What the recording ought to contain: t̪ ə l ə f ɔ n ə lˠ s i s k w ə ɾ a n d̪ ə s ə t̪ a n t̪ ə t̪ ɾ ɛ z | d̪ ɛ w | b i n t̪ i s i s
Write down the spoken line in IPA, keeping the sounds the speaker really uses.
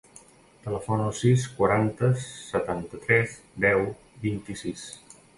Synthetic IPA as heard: t̪ ə l ə f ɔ n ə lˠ s i s k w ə ɾ a n t̪ ə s ə t̪ a n t̪ ə t̪ ɾ ɛ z | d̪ ɛ w | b i n t̪ i s i s

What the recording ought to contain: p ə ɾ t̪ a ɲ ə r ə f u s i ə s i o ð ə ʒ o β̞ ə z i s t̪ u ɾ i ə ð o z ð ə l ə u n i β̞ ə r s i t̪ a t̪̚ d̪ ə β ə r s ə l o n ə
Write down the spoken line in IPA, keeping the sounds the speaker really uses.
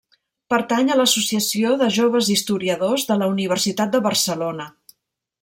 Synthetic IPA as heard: p ə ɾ t̪ a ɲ ə l ə s u s i ə s i o ð ə ʒ o β̞ ə z i s t̪ u ɾ i ə ð o z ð ə l ə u n i β̞ ə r s i t̪ a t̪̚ d̪ ə β ə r s ə l o n ə

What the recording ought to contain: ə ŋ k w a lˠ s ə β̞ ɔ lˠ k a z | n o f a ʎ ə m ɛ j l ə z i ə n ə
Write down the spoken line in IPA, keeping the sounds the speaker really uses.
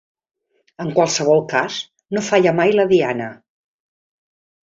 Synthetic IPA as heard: ə ŋ k w a lˠ s ə β̞ ɔ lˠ k a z | n o f a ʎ ə m a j l ə ð i a n ə

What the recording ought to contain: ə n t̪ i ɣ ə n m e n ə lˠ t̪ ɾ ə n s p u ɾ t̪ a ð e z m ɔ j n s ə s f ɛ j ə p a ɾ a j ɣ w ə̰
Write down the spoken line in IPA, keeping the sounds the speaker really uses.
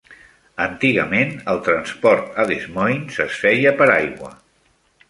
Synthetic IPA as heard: ə n t̪ i ɣ ə m e n ə lˠ t̪ ɾ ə n s p ɔ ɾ t̪ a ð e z m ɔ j n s ə s f ɛ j ə p ə ɾ a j ɣ w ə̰

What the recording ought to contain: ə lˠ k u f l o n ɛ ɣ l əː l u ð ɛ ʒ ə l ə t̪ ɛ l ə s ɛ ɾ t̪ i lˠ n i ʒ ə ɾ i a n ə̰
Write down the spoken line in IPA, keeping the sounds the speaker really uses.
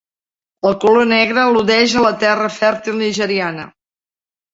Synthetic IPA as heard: ə lˠ k u l o n ɛ ɣ ɾ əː l u ð ɛ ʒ ə l ə t̪ ɛ r ə f ɛ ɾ t̪ i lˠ n i ʒ ə ɾ i a n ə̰

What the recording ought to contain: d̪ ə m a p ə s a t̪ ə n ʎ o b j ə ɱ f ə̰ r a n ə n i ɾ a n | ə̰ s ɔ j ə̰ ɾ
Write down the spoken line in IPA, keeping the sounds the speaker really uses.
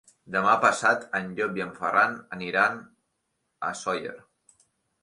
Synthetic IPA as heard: d̪ ə m a p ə s a t̪ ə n ʎ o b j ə ɱ f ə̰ r a n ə n i ɾ a n | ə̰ s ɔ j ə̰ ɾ

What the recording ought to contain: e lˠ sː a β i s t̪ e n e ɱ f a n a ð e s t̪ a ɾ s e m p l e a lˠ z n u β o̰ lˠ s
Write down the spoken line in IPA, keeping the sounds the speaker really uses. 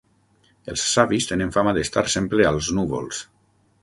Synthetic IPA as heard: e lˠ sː a β i s t̪ e n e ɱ f a m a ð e s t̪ a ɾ s e m p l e a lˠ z n u β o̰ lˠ s

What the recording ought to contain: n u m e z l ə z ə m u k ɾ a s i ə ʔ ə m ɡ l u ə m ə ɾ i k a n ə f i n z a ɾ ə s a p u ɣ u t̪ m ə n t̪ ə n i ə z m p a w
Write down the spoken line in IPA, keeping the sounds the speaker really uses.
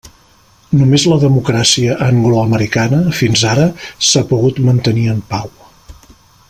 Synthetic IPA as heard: n u m e z l ə ð ə m u k ɾ a s i ə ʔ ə ŋ ɡ l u ə m ə ɾ i k a n ə f i n z a ɾ ə s a p u ɣ u t̪ m ə n t̪ ə n i ə m p a w

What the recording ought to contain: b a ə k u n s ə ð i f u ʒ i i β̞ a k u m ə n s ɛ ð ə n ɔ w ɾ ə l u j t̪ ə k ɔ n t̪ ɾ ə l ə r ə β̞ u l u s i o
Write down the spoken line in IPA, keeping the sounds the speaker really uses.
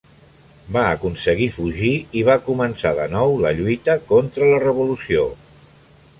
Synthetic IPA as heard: b a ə k u n s ə ɣ i f u ʒ i i β̞ a k u m ə n s a ð ə n ɔ w l ə ʎ u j t̪ ə k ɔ n t̪ ɾ ə l ə r ə β̞ u l u s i o

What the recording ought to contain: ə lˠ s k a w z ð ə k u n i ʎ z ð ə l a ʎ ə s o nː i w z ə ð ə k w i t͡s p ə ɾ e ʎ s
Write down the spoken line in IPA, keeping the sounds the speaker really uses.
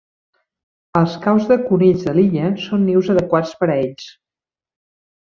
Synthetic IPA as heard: ə lˠ s k a w z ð ə k u n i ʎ z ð ə l i ʎ ə s o nː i w z ə ð ə k w a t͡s p ə ɾ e ʎ s

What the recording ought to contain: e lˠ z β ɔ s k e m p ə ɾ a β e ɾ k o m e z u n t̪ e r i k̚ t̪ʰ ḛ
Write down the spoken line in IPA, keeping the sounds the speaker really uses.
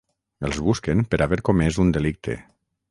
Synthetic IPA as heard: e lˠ z β u s k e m p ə ɾ a β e ɾ k o m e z u n d̪ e l i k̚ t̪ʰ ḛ

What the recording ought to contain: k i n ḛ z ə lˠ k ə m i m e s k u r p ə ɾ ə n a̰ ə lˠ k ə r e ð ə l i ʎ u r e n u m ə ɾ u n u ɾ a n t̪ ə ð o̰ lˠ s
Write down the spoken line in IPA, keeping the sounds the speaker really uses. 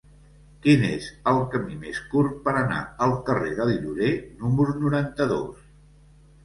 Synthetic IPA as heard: k i n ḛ z ə lˠ k ə m i m e s k u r p ə ɾ ə n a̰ ə lˠ k ə r e ð ə l i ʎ u ɾ e n u m ə ɾ u n u ɾ a n t̪ ə ð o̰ s

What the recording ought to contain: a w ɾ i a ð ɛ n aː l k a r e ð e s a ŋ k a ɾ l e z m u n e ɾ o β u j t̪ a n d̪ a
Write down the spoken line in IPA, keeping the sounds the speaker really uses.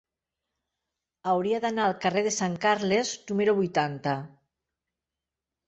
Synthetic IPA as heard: a w ɾ i a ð a n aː l k a r e ð e s a ŋ k a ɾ l e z n u m e ɾ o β u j t̪ a n t̪ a

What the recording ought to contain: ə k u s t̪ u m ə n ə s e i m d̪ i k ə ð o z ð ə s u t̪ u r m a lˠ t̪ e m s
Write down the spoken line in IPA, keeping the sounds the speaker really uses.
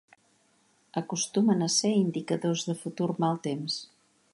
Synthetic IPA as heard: ə k u s t̪ u m ə n ə s e i n d̪ i k ə ð o z ð ə f u t̪ u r m a lˠ t̪ e m s

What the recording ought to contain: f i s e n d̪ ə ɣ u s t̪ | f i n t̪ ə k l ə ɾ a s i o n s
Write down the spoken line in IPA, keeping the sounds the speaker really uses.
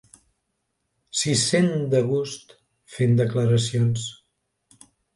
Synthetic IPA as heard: s i s e n d̪ ə ɣ u s t̪ | f e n d̪ ə k l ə ɾ ə s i o n s

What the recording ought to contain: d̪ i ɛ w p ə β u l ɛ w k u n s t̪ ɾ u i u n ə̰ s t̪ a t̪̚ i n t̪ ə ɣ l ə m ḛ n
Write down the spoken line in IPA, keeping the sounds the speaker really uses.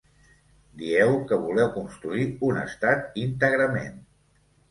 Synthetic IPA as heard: d̪ i ɛ w k ə β u l ɛ w k u n s t̪ ɾ u i u n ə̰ s t̪ a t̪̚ i n t̪ ə ɣ ɾ ə m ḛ n

